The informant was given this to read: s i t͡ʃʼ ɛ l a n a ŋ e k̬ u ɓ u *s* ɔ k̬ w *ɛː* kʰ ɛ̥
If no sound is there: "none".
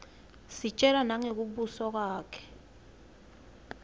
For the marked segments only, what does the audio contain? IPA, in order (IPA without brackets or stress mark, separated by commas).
s, aː